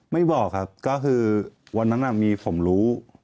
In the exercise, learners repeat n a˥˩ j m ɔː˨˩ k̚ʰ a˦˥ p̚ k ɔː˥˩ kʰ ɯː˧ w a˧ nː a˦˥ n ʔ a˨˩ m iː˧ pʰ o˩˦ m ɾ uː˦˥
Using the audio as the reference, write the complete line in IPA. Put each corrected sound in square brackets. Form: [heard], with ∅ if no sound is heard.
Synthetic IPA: [m] a˥˩ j [b] ɔː˨˩ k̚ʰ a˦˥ p̚ k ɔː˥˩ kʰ ɯː˧ w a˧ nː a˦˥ n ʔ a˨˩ m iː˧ pʰ o˩˦ m ɾ uː˦˥